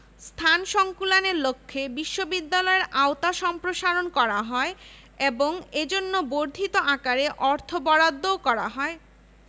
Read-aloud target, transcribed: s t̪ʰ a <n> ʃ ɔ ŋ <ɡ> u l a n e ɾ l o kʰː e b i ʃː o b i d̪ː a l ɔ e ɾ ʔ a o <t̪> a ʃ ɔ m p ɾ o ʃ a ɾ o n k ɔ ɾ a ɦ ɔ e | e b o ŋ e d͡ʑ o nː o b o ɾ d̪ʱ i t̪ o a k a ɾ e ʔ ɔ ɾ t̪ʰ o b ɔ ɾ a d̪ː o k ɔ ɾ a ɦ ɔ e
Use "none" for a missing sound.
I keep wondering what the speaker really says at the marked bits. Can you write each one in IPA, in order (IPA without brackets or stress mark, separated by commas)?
n, k, t̪